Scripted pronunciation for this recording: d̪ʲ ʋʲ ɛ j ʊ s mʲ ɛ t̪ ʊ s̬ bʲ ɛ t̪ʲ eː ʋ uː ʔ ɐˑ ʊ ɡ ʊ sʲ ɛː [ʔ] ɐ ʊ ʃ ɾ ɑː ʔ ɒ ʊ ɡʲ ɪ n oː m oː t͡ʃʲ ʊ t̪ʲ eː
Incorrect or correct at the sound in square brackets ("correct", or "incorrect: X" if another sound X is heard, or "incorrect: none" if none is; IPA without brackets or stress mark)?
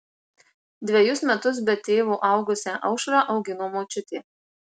correct